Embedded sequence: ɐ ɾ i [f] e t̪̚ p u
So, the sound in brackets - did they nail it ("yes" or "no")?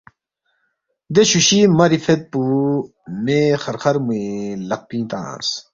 yes